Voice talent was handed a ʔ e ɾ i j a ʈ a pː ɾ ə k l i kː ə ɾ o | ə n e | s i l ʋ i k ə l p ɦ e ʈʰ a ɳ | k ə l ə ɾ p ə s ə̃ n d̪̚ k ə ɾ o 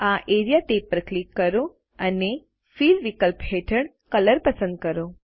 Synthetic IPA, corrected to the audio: a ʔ e ɾ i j a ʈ e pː ɾ ə k l i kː ə ɾ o | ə n e | f i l ʋ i k ə l p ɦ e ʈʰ ə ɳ | k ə l ə ɾ p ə s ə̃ n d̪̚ k ə ɾ o

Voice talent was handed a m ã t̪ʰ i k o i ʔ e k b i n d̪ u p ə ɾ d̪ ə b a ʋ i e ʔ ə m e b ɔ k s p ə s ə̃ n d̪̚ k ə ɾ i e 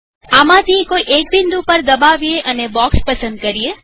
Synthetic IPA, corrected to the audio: a m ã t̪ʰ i k o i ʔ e k b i n d̪ u p ə ɾ d̪ ə b a ʋ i e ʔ ə n e b ɔ k s p ə s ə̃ n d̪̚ k ə ɾ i e

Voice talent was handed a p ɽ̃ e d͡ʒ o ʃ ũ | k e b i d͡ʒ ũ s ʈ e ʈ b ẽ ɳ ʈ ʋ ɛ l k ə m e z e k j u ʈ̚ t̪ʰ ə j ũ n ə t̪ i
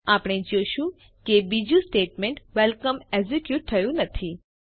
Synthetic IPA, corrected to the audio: a p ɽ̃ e d͡ʒ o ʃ ũ | k e b i d͡ʒ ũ s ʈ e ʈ m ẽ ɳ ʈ ʋ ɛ l k ə m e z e k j u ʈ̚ t̪ʰ ə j ũ n ə t̪ʰ i

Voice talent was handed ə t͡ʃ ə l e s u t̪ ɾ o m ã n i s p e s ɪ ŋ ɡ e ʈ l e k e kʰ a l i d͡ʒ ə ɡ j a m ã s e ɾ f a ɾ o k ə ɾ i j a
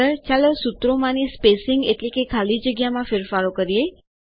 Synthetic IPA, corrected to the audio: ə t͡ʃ a l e s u t̪ ɾ o m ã n i s p e s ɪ ŋ ɡ e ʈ l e k e kʰ a l i d͡ʒ ə ɡ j a m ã f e ɾ f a ɾ o k ə ɾ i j e

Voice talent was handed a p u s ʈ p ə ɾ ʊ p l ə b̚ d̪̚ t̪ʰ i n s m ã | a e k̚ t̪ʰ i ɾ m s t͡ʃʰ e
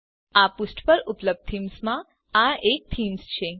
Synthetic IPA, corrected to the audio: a p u s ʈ p ə ɾ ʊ p l ə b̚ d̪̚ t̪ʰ i m s m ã | a e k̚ t̪ʰ i m s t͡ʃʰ e

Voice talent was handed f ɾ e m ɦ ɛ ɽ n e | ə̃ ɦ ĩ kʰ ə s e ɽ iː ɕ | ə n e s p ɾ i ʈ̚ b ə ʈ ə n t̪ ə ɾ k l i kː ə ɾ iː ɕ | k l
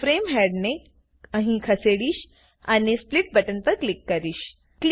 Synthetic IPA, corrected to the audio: f ɾ e m ɦ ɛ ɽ n e | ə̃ ɦ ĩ kʰ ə s e ɽ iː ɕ | a n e s p l i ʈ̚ b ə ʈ ə n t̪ ə ɾ k l i kː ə ɾ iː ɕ | k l

